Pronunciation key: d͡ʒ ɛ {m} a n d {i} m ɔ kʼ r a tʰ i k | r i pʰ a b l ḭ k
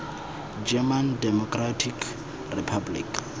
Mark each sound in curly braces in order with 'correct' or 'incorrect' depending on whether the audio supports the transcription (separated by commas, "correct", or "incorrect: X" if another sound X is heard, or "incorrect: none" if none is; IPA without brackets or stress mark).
correct, incorrect: ɛ